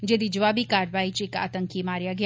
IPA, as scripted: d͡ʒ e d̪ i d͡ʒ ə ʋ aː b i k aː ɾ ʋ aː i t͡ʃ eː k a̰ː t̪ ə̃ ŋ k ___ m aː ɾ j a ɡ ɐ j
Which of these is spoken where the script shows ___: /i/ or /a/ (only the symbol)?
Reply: i